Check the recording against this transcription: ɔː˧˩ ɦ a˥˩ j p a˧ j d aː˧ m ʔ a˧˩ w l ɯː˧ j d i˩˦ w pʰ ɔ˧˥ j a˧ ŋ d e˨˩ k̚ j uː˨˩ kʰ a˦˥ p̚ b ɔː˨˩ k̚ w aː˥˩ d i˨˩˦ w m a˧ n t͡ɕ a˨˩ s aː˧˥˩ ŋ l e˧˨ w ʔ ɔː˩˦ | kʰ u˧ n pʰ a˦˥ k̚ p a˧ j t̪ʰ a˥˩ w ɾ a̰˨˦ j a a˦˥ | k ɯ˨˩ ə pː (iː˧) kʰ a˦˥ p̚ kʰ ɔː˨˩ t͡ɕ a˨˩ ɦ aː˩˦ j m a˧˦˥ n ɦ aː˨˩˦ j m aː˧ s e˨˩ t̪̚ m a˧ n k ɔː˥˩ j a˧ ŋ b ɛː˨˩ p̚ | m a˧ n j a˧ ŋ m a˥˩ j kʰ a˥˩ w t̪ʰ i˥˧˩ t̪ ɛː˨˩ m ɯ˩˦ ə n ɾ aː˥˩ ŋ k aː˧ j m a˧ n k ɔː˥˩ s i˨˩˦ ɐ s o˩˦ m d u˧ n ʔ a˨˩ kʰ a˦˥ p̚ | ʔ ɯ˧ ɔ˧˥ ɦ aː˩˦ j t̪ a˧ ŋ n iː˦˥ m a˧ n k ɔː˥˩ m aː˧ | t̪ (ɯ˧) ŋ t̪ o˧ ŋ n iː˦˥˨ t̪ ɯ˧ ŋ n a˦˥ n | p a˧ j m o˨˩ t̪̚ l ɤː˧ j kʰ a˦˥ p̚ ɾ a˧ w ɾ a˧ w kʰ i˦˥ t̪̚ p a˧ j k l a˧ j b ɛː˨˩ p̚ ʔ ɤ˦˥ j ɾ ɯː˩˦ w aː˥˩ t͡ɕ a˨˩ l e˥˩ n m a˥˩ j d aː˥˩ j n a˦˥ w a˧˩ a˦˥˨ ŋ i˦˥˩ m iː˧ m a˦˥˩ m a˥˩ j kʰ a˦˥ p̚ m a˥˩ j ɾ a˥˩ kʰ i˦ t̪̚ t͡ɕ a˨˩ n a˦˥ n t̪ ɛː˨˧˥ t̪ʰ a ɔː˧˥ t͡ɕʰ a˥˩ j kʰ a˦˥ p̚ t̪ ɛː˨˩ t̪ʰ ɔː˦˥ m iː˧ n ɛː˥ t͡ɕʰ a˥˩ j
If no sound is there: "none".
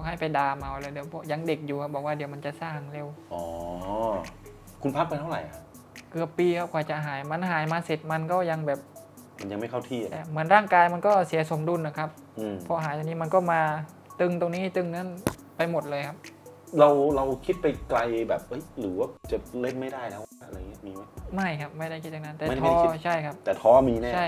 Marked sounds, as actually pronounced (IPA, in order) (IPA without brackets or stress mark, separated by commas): iː˧, ɯ˧